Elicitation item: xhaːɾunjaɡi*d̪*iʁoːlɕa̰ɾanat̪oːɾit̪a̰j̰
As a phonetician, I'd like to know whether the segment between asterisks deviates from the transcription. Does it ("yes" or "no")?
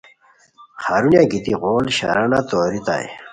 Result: yes